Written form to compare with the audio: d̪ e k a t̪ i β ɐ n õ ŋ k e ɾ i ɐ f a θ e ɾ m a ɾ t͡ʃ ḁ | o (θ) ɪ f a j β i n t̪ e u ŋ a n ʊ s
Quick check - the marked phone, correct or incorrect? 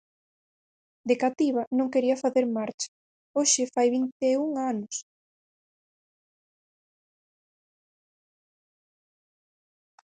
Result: incorrect